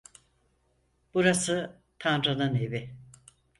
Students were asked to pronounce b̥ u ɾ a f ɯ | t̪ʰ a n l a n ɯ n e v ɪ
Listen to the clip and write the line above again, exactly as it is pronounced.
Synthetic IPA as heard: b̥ u ɾ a s ɯ | t̪ʰ a n ɾ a n ɯ n e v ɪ